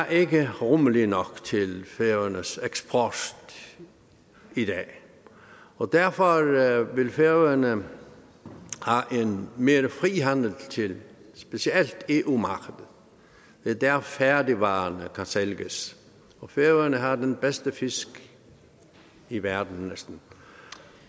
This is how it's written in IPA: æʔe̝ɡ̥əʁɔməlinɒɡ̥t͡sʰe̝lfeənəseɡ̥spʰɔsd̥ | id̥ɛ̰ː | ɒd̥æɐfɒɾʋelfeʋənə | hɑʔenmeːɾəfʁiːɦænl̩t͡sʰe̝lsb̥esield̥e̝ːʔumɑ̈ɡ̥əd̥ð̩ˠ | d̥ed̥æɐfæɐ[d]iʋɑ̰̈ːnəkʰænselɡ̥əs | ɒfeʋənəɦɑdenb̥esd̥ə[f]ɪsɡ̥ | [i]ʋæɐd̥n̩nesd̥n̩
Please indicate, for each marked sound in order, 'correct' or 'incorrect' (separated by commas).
correct, correct, correct